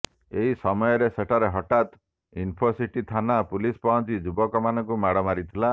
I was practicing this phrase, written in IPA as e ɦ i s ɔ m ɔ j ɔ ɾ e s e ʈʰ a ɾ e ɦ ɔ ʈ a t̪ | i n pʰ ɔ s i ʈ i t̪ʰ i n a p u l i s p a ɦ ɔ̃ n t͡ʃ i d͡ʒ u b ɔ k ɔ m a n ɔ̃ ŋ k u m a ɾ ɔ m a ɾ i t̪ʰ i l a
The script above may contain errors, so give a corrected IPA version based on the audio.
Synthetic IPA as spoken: e ɦ i s ɔ m ɔ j ɔ ɾ e s e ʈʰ a ɾ e ɦ ɔ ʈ a t̪ | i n pʰ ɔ s i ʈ i t̪ʰ a n a p u l i s p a ɦ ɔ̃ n t͡ʃ i d͡ʒ u b ɔ k ɔ m a n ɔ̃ ŋ k u m a ɽ ɔ m a ɾ i t̪ʰ i l a